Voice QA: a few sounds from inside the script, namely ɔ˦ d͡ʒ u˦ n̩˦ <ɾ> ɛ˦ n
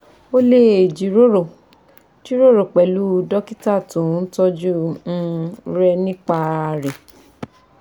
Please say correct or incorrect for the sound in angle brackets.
correct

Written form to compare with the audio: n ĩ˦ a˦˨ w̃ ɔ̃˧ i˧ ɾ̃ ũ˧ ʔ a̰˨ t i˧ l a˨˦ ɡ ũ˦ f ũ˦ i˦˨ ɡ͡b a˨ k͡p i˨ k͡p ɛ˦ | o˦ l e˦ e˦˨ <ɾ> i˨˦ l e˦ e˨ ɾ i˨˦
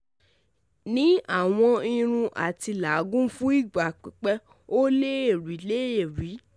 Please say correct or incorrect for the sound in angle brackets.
correct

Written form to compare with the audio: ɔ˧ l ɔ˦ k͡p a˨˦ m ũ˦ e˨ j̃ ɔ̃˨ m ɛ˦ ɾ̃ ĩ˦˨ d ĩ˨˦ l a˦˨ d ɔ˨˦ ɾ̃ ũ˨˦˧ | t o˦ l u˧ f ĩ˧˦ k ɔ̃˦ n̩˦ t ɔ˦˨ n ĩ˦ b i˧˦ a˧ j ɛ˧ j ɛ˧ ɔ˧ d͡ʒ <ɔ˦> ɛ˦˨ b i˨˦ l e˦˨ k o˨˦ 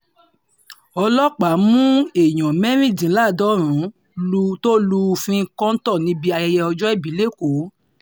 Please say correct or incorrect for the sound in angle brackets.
correct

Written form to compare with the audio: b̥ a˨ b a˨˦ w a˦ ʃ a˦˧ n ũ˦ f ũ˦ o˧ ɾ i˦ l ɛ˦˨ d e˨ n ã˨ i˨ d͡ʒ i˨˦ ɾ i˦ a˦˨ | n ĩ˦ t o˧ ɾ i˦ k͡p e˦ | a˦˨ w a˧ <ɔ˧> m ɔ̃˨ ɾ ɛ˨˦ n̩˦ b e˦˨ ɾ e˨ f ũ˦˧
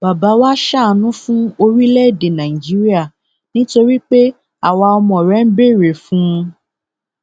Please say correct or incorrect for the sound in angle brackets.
correct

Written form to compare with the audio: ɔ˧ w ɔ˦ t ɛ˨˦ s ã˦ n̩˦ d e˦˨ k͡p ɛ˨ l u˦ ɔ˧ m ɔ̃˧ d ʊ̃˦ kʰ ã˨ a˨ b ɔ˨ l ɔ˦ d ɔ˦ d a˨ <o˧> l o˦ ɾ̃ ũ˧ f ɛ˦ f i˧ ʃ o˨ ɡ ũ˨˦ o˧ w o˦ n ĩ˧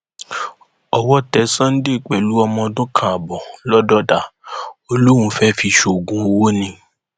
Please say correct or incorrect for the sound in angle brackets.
correct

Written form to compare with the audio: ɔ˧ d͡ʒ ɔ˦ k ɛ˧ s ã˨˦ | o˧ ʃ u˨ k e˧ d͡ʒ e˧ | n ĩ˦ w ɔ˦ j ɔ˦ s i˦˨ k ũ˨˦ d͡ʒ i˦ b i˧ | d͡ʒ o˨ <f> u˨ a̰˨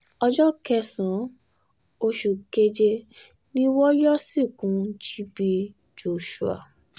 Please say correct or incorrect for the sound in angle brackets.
incorrect: ʃ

